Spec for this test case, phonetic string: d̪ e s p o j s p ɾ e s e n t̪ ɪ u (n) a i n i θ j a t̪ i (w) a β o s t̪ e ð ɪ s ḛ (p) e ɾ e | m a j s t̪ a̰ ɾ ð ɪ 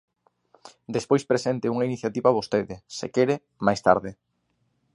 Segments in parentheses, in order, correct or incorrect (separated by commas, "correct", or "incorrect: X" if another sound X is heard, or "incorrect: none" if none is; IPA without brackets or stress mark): incorrect: ŋ, incorrect: β, incorrect: k